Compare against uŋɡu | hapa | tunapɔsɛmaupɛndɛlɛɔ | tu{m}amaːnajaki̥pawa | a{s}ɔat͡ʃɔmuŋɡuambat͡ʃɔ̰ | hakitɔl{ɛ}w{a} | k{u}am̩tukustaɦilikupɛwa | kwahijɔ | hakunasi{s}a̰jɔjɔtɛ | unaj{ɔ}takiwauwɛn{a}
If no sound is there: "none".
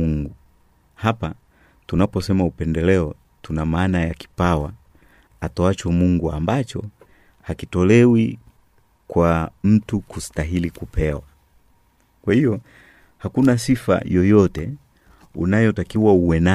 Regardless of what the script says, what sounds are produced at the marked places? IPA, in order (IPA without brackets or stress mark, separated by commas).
n, t, ɛ, i, w, f, ɔ, a